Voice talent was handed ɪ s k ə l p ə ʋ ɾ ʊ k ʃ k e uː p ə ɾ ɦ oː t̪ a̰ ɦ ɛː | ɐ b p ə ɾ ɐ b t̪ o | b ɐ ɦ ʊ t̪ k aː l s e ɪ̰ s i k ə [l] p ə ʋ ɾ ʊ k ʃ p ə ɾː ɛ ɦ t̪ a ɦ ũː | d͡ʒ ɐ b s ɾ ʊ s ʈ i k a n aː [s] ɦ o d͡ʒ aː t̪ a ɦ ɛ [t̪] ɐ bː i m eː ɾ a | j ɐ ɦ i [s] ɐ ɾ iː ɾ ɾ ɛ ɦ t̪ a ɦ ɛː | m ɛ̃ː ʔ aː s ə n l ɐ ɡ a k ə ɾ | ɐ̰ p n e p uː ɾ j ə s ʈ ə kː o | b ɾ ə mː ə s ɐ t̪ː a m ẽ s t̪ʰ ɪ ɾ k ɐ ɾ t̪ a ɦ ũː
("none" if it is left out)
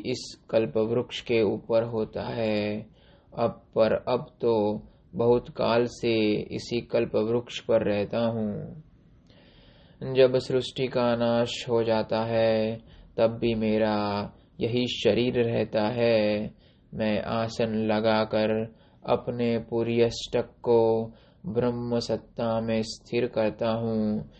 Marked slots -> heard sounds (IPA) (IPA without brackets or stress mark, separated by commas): l, ʃ, t̪, ʃ